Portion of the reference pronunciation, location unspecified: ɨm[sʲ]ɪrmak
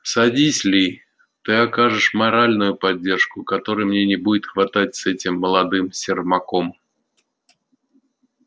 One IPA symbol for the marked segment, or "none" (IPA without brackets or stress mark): sʲ